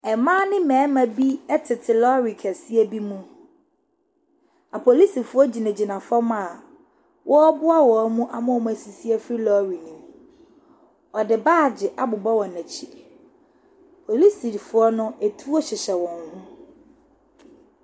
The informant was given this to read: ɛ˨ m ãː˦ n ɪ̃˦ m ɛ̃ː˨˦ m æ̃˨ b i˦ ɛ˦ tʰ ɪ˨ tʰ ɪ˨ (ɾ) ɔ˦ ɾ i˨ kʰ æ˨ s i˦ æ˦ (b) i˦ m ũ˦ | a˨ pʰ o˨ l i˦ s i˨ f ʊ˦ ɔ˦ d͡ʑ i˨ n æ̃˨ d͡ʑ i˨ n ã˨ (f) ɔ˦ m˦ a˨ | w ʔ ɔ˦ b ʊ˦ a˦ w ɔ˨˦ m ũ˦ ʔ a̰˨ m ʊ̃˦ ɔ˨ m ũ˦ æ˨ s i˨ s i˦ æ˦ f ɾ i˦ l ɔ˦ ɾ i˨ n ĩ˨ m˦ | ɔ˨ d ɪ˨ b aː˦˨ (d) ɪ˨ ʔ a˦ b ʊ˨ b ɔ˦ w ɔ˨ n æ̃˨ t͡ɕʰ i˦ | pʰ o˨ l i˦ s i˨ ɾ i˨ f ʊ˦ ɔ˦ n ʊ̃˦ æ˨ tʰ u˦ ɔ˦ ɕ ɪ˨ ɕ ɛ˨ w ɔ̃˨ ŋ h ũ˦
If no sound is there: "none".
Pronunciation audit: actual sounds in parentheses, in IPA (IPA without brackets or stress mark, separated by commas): l, b, f, d͡ʑ